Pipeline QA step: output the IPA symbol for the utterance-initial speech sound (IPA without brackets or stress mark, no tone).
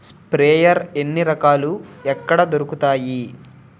s